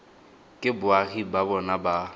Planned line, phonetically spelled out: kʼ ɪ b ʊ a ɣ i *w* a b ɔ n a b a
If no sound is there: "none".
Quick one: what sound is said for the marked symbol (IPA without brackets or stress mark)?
b